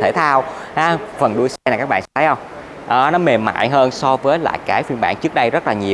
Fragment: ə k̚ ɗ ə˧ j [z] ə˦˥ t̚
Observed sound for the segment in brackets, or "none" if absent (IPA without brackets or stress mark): z